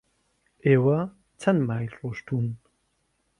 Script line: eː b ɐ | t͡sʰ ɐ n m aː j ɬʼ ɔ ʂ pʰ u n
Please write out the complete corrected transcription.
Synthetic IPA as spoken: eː w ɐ | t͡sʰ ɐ n m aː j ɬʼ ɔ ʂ tʰ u n